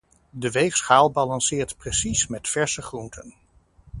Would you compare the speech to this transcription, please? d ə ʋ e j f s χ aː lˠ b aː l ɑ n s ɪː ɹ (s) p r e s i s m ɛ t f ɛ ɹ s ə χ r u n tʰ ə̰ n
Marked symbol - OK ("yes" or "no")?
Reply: no